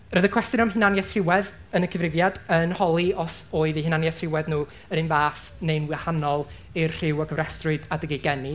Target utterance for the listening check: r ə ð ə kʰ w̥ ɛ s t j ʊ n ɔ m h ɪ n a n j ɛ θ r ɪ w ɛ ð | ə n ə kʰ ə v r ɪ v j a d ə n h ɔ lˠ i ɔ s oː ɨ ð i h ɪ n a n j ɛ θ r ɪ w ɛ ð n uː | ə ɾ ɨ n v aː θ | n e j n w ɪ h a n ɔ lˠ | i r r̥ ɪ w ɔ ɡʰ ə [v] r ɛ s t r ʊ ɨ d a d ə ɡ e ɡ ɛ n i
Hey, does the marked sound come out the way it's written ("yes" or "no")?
yes